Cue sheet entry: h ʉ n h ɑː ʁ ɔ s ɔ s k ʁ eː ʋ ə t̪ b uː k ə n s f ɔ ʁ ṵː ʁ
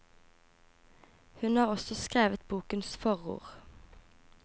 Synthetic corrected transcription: h ʉ n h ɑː ʁ ɔ s ɔ s k ʁ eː ʋ ə t̪ b uː k ə n s f ɔ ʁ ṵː ʁ